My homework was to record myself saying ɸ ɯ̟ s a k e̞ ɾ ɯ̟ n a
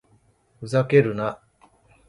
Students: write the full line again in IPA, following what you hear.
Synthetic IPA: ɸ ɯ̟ z a k e̞ ɾ ɯ̟ n a